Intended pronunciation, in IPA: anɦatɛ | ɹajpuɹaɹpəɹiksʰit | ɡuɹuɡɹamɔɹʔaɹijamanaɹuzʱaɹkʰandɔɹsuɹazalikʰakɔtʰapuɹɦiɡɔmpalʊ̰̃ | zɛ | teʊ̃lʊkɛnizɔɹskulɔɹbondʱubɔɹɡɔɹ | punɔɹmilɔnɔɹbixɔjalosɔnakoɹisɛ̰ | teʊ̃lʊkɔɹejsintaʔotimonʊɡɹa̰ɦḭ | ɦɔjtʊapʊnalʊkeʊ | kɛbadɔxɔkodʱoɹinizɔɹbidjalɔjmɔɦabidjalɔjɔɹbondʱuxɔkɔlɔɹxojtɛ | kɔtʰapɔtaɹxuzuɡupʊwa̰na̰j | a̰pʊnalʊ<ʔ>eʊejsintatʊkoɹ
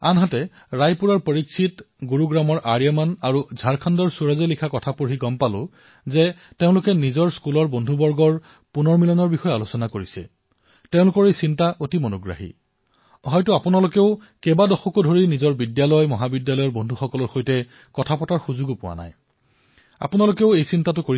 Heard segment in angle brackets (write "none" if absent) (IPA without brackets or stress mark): k